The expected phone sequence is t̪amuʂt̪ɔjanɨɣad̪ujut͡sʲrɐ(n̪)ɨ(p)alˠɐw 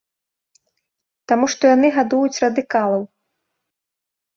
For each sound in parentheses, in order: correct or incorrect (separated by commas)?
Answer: incorrect, incorrect